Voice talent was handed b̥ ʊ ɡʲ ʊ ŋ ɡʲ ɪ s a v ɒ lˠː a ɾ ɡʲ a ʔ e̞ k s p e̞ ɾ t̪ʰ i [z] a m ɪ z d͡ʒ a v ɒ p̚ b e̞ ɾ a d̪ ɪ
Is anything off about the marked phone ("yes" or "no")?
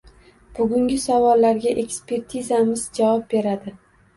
no